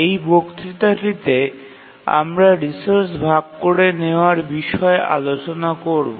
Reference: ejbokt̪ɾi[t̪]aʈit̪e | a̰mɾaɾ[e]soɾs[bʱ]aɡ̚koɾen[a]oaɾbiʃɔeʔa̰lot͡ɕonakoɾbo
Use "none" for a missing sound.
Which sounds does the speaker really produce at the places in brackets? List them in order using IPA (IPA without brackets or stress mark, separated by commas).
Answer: t̪, i, bʱ, e